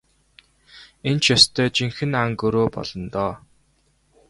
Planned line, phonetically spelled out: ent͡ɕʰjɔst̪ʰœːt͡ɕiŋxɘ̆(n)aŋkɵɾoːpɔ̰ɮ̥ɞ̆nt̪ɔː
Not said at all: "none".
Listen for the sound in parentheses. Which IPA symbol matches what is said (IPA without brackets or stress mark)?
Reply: n